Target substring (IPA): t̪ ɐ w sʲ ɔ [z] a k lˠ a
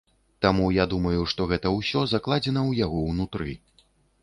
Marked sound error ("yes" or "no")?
no